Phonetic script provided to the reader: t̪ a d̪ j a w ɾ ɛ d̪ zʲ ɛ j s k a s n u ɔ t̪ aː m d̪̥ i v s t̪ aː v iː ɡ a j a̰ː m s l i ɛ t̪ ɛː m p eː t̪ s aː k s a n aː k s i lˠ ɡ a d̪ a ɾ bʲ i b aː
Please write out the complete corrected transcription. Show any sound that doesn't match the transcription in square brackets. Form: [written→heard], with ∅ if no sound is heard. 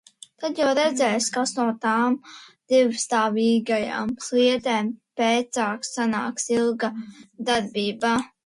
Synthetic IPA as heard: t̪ a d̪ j a w ɾ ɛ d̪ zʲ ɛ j s k a s n u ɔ t̪ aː m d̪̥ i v s t̪ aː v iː ɡ a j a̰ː m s l i ɛ t̪ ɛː m p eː t̪ s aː k s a n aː k s i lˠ ɡ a d̪ a ɾ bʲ [i→iː] b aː

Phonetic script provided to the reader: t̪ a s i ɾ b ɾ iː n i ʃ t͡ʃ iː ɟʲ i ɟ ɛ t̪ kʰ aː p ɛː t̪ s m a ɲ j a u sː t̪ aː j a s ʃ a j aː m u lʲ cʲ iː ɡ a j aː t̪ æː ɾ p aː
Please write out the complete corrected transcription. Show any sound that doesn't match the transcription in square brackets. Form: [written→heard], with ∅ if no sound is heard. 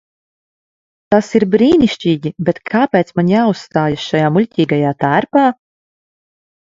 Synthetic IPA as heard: t̪ a s i ɾ b ɾ iː n i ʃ t͡ʃ iː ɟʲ i [ɟ→b] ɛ t̪ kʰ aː p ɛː t̪ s m a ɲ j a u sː t̪ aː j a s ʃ a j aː m u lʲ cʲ iː ɡ a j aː t̪ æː ɾ p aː

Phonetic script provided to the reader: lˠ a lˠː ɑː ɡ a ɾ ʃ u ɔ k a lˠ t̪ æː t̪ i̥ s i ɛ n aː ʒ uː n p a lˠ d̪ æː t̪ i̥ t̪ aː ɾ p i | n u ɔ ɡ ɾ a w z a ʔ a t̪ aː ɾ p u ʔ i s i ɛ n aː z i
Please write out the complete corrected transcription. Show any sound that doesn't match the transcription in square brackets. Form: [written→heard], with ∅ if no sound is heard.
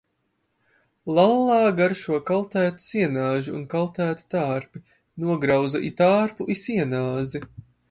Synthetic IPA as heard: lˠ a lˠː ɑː ɡ a ɾ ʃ u ɔ k a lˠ t̪ æː t̪ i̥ s i ɛ n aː ʒ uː n [p→k] a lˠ [d̪→t̪] æː t̪ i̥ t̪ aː ɾ p i | n u ɔ ɡ ɾ a w z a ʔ [a→i] t̪ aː ɾ p u ʔ i s i ɛ n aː z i

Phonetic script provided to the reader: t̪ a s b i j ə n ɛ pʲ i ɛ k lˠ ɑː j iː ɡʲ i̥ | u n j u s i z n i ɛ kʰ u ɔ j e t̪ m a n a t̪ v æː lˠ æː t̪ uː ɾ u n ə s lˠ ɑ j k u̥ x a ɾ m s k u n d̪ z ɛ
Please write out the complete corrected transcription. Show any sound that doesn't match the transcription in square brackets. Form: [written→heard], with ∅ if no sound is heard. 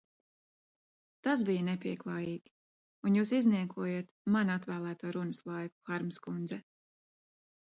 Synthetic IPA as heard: t̪ a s b i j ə n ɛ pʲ i ɛ k lˠ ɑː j iː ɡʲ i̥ | u n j [u→uː] s i z n i ɛ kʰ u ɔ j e t̪ m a n a t̪ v æː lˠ æː t̪ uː ɾ u n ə s lˠ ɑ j k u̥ x a ɾ m s k u n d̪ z ɛ

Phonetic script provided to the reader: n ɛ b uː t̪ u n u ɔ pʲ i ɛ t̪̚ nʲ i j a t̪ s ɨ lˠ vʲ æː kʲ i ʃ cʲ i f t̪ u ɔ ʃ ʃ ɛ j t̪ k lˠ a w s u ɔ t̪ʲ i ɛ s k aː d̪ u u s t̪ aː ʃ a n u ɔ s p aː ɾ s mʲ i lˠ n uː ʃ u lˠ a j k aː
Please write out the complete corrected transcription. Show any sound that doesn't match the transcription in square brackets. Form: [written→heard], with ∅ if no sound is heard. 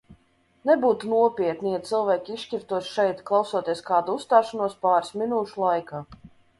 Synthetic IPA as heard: n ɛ b uː t̪ u n u ɔ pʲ i ɛ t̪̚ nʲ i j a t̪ s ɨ lˠ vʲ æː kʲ i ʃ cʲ i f t̪ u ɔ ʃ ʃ ɛ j t̪ k lˠ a w s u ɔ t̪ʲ i ɛ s k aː d̪ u u s t̪ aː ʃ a n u ɔ s p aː ɾ s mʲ i [lˠ→∅] n uː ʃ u lˠ a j k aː

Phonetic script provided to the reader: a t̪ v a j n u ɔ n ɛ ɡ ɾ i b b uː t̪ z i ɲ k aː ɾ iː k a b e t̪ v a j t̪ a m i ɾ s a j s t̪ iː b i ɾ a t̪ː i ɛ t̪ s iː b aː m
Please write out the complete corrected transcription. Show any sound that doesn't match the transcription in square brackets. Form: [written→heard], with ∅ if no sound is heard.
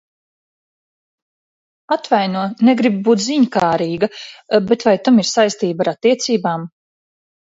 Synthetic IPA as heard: a t̪ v a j n u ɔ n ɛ ɡ ɾ i b b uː t̪ z i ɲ k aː ɾ iː [k→ɡ] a b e t̪ v a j t̪ a m i ɾ s a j s t̪ iː b [i→a] ɾ a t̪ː i ɛ t̪ s iː b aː m

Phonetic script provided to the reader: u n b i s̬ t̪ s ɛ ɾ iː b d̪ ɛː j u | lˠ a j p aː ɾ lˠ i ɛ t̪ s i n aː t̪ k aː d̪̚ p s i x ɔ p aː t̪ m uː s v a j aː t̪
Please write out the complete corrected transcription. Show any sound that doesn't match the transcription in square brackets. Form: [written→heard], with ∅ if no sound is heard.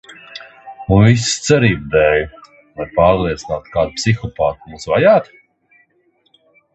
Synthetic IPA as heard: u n [b→v] i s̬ t̪ s ɛ ɾ iː b d̪ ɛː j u | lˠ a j p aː ɾ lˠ i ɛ t̪ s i n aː t̪ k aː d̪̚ p s i x ɔ p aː t̪ m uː s v a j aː t̪

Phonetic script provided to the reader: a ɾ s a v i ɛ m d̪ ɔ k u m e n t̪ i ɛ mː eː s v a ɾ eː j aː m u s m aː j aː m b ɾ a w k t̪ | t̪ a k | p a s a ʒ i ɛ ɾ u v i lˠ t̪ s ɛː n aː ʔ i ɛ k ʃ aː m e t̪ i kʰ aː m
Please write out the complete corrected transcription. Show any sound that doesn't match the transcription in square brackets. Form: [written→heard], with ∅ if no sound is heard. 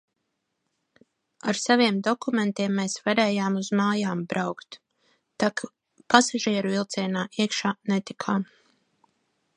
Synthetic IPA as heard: a ɾ s a v i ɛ m d̪ ɔ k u m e n t̪ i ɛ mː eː s v a ɾ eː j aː m u [s→z] m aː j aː m b ɾ a w k t̪ | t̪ a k | p a s a ʒ i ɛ ɾ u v i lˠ t̪ s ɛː n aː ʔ i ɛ k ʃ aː [m→n] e t̪ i kʰ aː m

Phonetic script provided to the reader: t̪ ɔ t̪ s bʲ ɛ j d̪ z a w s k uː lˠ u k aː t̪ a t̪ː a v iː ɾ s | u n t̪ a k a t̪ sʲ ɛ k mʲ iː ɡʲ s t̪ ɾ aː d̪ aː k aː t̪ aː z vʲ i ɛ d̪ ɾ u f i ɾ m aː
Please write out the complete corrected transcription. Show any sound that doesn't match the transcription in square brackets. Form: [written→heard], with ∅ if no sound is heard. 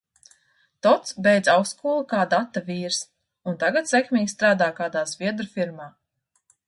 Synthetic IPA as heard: t̪ ɔ t̪ s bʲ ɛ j d̪ z a w s k uː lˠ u k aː [t̪→d̪] a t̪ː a v iː ɾ s | u n t̪ a [k→ɡ] a t̪ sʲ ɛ k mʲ iː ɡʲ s t̪ ɾ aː d̪ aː k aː [t̪→d̪] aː z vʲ i ɛ d̪ ɾ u f i ɾ m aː

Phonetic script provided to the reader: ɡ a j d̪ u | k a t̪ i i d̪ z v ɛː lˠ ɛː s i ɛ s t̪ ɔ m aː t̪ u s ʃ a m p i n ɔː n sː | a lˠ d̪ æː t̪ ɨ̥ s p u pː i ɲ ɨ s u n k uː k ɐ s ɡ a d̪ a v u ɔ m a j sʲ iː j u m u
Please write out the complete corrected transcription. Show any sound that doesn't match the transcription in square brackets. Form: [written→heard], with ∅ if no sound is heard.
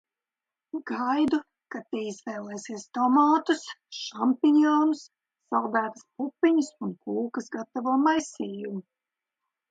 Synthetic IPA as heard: ɡ a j d̪ u | k a t̪ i i [d̪→∅] z v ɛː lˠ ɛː s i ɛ s t̪ ɔ m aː t̪ u s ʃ a m p i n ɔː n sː | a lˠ d̪ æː t̪ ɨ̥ s p u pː i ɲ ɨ s u n k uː k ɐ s ɡ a [d̪→t̪] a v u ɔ m a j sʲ iː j u m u

